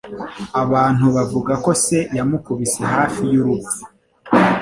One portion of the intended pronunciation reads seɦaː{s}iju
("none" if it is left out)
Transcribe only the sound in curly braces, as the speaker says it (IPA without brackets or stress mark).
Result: f